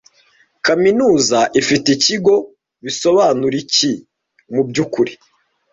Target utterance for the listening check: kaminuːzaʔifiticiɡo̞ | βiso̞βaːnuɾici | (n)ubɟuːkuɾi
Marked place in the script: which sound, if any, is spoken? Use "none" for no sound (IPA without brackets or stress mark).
m